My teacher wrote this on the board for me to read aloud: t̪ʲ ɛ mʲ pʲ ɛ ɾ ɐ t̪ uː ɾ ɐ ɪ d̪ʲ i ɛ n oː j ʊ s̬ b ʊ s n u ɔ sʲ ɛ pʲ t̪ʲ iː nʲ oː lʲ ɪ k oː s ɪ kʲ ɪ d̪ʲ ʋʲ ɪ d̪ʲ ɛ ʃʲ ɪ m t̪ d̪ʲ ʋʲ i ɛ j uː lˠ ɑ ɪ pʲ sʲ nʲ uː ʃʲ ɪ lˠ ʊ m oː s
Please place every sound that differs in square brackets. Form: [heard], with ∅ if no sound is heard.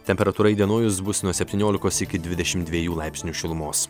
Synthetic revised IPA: t̪ʲ ɛ mʲ pʲ ɛ ɾ ɐ t̪ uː ɾ ɐ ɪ d̪ʲ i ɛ n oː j ʊ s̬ b ʊ s n u ɔ sʲ ɛ pʲ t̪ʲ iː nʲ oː lʲ ɪ k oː s ɪ kʲ ɪ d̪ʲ ʋʲ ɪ d̪ʲ ɛ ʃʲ ɪ m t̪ d̪ʲ ʋʲ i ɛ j uː lˠ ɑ ɪ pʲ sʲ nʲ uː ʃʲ ɪ lˠ ʊ m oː s